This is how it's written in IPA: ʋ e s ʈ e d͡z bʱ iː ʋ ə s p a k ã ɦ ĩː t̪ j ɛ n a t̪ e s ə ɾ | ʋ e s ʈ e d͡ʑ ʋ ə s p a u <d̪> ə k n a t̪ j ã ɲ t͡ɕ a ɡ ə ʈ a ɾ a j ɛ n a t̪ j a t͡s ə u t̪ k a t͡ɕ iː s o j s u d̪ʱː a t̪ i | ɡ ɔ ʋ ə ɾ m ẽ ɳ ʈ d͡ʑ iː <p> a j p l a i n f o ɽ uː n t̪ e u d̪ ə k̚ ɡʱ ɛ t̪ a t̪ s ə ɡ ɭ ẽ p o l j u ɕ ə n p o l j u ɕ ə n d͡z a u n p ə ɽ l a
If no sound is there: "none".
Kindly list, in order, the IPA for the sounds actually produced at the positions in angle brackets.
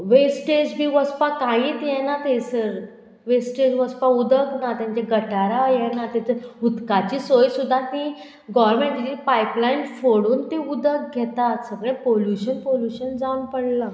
d̪, p

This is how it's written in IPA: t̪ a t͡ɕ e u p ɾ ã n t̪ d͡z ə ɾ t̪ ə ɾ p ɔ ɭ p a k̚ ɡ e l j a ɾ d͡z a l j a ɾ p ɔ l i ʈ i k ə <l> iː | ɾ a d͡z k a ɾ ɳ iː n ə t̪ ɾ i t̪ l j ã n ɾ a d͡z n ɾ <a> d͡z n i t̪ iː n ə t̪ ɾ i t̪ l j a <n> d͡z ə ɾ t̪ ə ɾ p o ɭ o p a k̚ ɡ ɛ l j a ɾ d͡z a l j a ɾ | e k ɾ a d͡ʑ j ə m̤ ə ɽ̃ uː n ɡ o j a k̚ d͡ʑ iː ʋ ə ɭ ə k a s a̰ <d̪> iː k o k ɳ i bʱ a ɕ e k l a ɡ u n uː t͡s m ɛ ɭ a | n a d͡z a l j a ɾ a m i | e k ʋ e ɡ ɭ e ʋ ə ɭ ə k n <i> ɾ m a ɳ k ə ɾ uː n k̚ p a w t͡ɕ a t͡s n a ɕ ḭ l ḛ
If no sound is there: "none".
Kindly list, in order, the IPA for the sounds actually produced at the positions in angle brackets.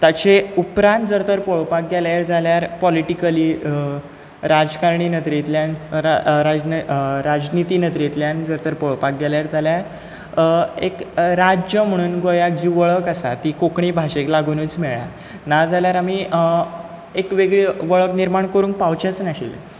l, a, n, t̪, i

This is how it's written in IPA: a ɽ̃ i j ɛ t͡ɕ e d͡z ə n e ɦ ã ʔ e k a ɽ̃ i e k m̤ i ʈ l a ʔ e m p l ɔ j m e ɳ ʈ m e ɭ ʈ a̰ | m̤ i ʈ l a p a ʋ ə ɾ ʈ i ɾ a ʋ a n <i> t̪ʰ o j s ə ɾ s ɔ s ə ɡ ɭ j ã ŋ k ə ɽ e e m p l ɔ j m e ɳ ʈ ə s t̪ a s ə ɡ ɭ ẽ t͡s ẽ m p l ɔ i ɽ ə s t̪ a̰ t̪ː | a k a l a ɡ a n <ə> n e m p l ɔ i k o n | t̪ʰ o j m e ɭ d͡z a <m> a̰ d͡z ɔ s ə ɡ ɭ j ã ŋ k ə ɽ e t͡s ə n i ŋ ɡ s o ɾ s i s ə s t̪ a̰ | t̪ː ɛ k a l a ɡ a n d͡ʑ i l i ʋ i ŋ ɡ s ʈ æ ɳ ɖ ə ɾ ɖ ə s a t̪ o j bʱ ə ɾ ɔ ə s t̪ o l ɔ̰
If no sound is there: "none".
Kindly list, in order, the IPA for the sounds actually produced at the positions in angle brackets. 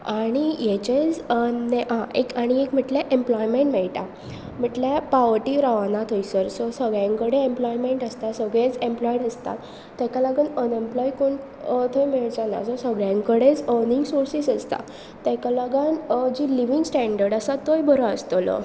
a, ə, n

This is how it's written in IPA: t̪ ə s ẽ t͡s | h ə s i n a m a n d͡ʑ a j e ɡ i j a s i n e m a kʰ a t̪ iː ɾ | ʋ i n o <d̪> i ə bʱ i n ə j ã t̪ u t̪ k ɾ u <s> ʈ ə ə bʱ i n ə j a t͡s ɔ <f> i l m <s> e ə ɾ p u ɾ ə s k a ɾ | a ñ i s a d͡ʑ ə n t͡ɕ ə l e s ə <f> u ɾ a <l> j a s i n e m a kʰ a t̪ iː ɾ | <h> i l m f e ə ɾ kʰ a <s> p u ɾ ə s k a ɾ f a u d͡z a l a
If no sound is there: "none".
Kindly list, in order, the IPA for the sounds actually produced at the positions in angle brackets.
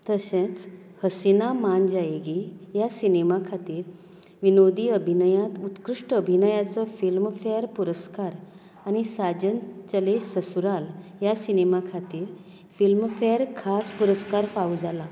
d̪, ʂ, f, f, s, l, f, s

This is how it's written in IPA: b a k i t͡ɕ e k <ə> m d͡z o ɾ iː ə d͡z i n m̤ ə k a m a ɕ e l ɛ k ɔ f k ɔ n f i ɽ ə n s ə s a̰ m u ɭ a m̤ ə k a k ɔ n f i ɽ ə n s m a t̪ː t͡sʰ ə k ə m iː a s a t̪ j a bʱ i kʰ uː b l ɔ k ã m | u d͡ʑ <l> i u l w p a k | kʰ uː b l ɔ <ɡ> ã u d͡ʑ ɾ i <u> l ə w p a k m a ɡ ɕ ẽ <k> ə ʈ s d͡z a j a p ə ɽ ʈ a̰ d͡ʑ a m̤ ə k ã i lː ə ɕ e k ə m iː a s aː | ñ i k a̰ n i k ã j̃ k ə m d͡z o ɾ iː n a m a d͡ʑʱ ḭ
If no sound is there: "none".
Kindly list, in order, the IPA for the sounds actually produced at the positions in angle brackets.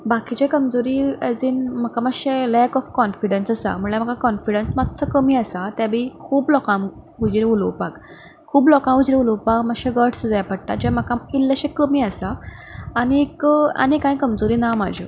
ə, ɾ, k, u, ɡ

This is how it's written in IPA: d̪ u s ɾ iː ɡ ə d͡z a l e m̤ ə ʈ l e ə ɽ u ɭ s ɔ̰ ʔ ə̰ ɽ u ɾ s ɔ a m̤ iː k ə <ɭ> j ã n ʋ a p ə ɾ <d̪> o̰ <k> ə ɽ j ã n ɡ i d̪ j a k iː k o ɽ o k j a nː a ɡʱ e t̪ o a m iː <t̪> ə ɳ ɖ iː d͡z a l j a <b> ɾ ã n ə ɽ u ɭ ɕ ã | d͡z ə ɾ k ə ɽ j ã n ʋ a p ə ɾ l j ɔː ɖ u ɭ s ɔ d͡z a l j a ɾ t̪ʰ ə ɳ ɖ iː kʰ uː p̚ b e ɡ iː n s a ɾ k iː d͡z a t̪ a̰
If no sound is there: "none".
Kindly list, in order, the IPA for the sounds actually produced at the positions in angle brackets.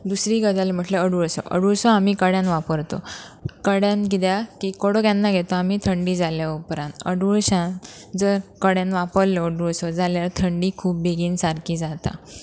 ɽ, t̪, k, t̪ʰ, p

